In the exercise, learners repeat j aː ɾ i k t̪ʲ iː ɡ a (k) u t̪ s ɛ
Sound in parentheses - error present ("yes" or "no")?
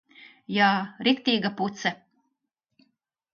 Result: yes